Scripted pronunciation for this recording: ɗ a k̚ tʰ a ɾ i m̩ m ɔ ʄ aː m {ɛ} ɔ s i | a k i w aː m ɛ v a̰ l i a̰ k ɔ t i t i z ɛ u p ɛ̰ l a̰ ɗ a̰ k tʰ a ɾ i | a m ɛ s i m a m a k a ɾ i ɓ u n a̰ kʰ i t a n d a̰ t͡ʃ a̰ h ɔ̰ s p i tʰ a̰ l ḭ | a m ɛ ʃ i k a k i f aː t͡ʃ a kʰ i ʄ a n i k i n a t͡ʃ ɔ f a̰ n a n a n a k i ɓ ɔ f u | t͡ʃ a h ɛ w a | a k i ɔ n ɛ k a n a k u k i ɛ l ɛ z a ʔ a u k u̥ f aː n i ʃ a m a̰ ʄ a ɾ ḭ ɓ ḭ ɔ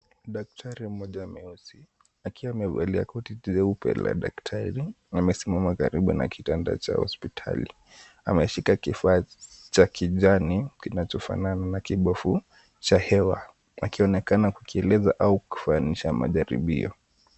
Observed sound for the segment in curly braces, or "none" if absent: ɛ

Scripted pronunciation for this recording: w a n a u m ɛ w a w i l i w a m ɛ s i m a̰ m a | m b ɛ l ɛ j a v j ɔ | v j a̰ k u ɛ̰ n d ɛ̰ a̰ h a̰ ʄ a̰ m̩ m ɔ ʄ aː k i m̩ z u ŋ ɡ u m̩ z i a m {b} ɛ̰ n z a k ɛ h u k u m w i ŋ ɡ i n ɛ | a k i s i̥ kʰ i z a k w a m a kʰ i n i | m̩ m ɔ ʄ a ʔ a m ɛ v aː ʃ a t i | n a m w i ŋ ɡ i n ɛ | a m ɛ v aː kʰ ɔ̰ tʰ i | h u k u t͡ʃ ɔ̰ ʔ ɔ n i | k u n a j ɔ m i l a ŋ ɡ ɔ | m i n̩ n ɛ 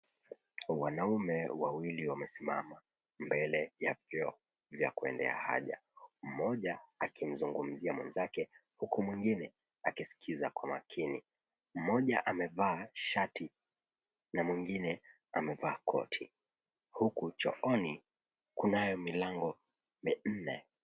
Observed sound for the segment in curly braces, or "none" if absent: w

